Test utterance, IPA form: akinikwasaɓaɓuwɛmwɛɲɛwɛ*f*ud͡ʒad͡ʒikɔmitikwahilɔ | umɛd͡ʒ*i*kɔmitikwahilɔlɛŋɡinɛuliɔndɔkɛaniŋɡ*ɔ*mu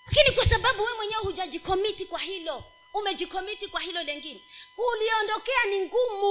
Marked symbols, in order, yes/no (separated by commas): no, yes, no